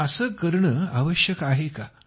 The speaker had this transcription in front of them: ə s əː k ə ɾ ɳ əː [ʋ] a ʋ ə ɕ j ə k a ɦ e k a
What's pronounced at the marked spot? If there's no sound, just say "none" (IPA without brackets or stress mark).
none